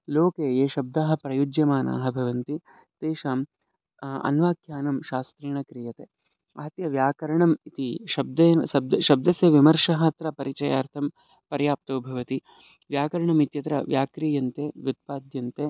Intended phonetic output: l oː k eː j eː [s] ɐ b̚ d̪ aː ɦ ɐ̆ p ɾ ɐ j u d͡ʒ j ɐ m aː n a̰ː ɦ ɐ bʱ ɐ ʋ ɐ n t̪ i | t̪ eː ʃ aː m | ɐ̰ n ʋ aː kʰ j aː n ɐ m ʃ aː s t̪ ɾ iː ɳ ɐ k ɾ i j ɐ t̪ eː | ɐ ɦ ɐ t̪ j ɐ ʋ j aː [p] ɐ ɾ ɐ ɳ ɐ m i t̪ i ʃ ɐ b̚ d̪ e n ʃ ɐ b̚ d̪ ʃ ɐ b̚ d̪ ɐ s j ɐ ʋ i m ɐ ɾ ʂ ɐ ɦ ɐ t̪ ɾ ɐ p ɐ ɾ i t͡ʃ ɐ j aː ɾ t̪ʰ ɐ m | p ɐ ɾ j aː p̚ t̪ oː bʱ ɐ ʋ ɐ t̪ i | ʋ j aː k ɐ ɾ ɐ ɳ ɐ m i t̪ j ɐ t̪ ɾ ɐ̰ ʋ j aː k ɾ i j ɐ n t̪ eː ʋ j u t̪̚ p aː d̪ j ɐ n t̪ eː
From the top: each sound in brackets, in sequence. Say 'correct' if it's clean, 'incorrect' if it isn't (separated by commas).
incorrect, incorrect